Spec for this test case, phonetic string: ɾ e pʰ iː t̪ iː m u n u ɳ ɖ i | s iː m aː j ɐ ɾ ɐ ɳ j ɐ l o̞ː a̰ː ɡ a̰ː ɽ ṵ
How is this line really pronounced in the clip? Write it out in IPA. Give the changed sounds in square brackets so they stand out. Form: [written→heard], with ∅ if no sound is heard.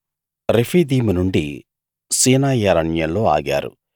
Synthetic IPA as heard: ɾ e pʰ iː [t̪→d̪] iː m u n u ɳ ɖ i | s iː [m→n] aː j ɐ ɾ ɐ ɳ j ɐ l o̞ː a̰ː ɡ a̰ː [ɽ→ɾ] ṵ